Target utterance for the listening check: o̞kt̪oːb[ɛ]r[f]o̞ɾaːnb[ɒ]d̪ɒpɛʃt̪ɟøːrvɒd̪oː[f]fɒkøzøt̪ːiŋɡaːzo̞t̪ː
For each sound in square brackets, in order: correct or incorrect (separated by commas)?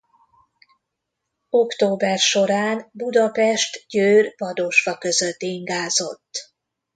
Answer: correct, incorrect, incorrect, incorrect